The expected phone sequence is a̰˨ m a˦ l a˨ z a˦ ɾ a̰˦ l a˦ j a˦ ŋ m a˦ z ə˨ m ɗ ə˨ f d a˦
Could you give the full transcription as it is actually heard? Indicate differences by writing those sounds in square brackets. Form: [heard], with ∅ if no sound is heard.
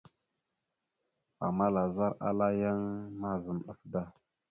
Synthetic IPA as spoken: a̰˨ m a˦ l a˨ z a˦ ɾ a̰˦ l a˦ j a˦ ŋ m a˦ z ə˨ m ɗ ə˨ f d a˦